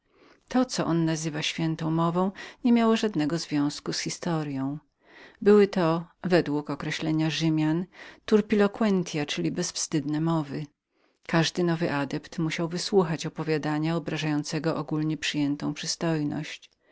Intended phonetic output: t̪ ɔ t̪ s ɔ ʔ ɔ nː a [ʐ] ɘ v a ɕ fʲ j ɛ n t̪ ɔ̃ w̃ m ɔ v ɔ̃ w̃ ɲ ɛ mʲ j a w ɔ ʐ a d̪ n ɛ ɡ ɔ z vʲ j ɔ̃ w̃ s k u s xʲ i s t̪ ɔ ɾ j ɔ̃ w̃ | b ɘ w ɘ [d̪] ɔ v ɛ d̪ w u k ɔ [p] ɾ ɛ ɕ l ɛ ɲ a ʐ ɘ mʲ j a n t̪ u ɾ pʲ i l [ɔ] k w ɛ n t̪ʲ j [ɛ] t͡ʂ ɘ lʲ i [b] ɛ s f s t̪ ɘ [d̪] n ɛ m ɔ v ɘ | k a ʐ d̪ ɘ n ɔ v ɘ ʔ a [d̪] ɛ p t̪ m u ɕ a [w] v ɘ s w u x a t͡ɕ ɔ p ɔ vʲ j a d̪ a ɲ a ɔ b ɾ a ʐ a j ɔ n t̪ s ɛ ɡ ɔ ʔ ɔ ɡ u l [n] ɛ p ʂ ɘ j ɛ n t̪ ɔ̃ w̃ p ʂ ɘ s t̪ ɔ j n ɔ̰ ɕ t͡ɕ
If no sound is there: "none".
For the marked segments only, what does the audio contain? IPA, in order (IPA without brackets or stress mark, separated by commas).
z, t̪, k, ɔ, a, b, d̪, d̪, w, ɲ